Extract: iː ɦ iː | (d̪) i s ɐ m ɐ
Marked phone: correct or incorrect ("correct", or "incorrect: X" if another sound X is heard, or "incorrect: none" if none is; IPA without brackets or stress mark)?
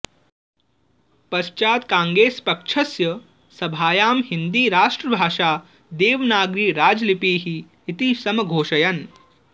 incorrect: t̪